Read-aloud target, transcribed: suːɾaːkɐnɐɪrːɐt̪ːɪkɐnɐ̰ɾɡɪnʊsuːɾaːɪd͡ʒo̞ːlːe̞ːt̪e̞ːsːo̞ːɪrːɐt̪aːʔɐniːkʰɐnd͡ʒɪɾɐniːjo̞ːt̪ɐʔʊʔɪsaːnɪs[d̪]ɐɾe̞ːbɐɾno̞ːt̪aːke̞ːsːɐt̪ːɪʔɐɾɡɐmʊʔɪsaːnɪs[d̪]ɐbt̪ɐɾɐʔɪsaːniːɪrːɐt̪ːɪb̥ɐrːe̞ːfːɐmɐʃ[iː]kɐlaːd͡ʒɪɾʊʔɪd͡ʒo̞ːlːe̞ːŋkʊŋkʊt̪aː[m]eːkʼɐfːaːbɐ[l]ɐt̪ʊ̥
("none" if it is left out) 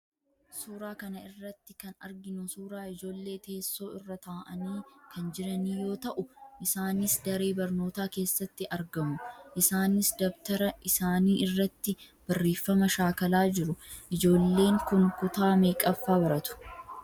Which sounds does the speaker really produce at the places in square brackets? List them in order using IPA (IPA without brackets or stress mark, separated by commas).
d̪, d̪, aː, m, ɾ